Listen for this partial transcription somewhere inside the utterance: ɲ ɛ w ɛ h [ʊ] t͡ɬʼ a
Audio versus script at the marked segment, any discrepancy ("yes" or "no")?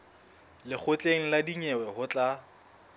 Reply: no